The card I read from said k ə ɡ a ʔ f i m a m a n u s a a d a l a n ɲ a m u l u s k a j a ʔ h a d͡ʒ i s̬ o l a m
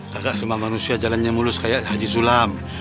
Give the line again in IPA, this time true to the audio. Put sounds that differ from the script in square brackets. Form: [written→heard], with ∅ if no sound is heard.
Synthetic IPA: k [ə→a] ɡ a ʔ [f→s] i m a m a n u s [a→i] a [d→d͡ʒ] a l a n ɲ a m u l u s k a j a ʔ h a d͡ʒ i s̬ [o→u] l a m